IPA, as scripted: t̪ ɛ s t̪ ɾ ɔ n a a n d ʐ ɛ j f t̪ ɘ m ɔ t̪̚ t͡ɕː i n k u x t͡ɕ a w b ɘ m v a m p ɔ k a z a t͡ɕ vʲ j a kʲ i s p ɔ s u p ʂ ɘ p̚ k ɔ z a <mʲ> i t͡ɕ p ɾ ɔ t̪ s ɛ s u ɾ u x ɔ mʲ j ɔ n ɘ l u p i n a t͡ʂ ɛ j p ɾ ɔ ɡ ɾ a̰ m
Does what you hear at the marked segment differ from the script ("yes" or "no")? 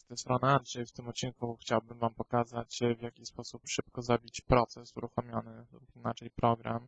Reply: yes